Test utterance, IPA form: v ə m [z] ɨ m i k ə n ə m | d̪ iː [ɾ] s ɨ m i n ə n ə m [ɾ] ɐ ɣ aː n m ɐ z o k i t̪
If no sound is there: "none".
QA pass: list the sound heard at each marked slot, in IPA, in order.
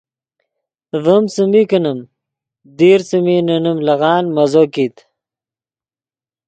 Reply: s, ɾ, l

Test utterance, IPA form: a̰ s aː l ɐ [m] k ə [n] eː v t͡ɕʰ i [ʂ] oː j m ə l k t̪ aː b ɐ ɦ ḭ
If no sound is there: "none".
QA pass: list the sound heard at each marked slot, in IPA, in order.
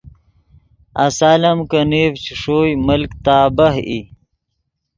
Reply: m, n, ʂ

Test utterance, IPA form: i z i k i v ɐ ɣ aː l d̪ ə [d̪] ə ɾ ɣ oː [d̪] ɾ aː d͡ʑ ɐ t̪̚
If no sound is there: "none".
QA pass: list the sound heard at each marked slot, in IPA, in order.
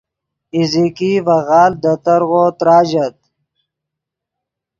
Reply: t̪, t̪

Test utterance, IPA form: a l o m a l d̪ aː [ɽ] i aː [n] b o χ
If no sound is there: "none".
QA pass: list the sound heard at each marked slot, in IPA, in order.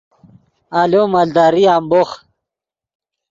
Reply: ɾ, m

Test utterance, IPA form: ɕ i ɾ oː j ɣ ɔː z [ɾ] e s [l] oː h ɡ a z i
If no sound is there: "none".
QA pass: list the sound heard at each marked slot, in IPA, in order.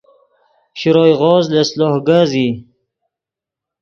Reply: l, l

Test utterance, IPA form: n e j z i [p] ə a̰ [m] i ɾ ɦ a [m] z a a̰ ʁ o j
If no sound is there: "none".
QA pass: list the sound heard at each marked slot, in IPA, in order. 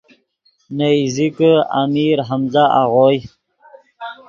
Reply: k, m, m

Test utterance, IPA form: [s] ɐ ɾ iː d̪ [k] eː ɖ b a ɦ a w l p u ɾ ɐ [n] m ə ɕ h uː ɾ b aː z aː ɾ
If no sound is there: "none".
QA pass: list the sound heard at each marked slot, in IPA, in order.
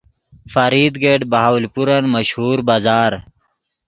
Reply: f, ɡ, n

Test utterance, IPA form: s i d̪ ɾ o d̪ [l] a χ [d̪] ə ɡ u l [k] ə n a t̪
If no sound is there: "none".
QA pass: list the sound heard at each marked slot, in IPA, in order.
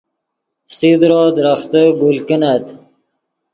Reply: ɾ, t̪, k

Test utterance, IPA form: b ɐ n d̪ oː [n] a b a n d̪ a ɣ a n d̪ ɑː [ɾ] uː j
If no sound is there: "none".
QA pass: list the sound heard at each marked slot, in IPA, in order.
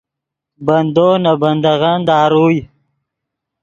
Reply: n, ɾ

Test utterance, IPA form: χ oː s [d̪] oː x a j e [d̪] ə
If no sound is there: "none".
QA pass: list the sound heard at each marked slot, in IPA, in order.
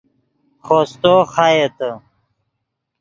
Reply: t̪, t̪

